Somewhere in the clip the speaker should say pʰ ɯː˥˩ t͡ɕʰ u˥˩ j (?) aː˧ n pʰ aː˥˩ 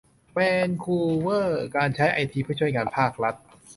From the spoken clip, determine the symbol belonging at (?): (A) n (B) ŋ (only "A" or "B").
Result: B